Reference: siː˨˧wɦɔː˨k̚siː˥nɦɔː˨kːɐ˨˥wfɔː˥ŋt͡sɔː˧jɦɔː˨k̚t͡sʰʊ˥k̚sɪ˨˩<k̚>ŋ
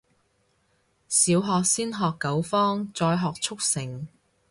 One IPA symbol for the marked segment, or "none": none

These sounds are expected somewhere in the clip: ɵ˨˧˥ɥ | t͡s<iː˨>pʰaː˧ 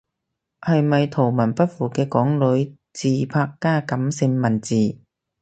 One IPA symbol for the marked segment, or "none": iː˨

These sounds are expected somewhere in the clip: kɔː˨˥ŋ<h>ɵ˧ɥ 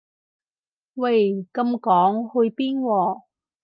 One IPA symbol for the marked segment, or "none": h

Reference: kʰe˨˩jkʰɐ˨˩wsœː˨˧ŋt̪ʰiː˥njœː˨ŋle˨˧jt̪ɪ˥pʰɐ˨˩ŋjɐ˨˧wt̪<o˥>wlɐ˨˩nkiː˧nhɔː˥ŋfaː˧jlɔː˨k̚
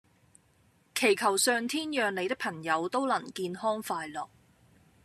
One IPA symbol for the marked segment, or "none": o˥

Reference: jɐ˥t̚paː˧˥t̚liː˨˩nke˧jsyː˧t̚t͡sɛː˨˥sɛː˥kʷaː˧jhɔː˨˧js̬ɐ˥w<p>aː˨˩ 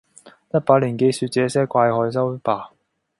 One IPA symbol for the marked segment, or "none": p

